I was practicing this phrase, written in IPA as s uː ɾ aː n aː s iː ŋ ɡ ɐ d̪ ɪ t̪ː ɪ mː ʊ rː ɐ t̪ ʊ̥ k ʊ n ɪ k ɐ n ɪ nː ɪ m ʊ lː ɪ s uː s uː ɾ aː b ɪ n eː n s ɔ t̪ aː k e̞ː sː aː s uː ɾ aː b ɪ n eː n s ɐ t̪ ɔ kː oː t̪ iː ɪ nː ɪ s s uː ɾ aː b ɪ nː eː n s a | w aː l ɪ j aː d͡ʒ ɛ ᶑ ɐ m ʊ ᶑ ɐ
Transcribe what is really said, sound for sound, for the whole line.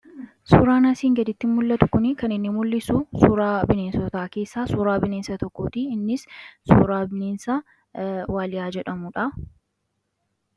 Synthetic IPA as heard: s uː ɾ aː n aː s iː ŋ ɡ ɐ d̪ ɪ t̪ː ɪ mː ʊ lː ɐ t̪ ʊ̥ k ʊ n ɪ k ɐ n ɪ nː ɪ m ʊ lː ɪ s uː s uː ɾ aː b ɪ n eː n s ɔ t̪ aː k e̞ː sː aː s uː ɾ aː b ɪ n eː n s ɐ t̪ ɔ kː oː t̪ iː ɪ nː ɪ s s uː ɾ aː b ɪ n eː n s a | w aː l ɪ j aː d͡ʒ ɛ ᶑ ɐ m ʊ ᶑ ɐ